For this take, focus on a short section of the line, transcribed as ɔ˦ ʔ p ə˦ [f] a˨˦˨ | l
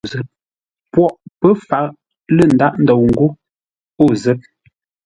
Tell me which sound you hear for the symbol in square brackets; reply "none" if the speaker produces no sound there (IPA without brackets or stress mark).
f